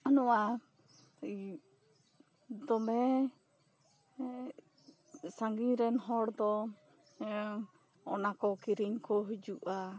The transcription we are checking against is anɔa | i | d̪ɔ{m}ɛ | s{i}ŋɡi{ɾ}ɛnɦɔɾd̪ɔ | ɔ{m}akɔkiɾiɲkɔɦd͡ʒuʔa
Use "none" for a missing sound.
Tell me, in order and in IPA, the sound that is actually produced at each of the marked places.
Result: m, a, ɾ, n

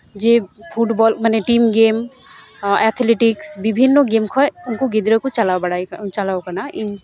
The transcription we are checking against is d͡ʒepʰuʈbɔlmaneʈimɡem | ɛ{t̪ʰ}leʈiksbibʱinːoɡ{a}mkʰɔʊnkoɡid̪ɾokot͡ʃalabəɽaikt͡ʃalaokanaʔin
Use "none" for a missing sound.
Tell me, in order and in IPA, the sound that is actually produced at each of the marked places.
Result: t̪ʰ, e

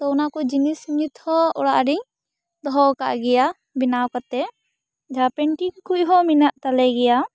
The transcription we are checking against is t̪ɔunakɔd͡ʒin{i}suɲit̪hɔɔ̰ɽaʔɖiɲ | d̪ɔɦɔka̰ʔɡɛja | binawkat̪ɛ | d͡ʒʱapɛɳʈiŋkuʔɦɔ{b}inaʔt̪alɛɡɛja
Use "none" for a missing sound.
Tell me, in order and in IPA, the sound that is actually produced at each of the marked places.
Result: i, m

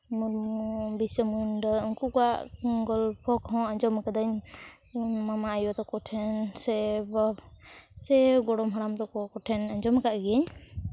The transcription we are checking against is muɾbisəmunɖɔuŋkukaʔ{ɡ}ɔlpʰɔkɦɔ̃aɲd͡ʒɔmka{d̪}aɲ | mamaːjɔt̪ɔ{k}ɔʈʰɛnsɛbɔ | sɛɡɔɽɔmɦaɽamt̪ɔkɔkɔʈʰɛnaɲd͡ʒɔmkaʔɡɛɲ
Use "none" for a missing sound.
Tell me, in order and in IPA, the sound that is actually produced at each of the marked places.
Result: ɡ, d̪, k

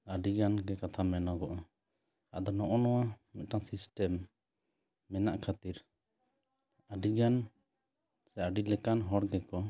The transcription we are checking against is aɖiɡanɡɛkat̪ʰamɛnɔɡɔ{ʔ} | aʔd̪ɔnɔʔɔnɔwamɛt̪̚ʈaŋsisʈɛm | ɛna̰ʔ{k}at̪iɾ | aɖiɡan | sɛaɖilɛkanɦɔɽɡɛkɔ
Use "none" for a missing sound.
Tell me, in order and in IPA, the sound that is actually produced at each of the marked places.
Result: ʔ, kʰ

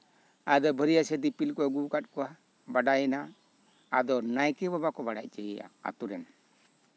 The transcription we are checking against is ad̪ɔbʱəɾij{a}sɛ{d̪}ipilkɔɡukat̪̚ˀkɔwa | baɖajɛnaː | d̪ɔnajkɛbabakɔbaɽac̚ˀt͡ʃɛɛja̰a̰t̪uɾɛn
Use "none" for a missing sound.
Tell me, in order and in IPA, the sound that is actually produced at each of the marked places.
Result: a, d̪

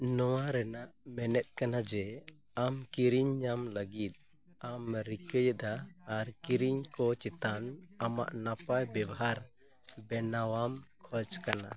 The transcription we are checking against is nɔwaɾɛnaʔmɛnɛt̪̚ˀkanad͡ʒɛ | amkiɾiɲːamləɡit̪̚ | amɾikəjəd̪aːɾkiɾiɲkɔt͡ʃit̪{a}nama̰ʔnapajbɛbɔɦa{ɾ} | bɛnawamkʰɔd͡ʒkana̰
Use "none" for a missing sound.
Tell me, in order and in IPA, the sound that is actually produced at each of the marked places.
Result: a, ɾ

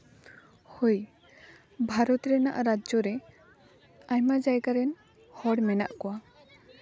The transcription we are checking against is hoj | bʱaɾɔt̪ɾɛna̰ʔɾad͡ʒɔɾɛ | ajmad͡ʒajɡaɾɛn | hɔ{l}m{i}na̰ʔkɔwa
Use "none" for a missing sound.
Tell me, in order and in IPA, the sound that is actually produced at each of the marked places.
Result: ɽ, ɛ

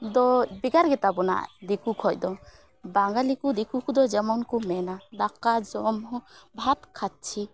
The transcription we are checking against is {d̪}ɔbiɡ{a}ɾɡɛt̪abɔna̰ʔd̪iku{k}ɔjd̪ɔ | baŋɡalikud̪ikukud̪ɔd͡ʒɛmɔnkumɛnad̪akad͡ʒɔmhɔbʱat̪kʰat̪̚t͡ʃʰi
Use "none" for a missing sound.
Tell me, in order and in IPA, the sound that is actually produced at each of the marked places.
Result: d̪, a, kʰ

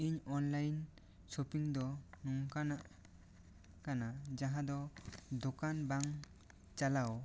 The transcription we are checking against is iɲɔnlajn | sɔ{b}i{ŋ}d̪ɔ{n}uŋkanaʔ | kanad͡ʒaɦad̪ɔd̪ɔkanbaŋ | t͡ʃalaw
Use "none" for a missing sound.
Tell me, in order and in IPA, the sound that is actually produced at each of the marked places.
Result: p, ŋ, n

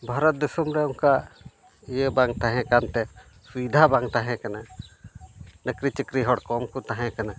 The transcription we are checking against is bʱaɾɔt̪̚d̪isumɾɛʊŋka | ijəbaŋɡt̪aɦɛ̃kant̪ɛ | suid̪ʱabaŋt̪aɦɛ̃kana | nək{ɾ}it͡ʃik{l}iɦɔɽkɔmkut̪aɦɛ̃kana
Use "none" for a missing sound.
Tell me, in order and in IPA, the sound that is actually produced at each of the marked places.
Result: ɾ, ɾ

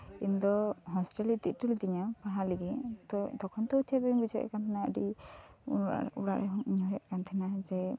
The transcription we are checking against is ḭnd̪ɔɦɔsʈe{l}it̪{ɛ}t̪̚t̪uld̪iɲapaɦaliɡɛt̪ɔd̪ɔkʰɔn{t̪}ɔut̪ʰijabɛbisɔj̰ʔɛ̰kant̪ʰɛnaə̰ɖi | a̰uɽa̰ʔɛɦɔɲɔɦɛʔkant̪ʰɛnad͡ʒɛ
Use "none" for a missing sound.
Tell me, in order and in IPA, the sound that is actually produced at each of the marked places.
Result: l, i, t̪

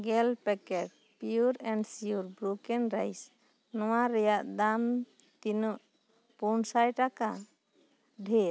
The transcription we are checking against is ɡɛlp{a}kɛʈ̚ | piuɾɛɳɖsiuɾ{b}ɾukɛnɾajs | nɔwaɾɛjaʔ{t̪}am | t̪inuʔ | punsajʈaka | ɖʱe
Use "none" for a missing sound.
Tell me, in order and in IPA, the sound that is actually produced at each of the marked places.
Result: ɛ, b, d̪

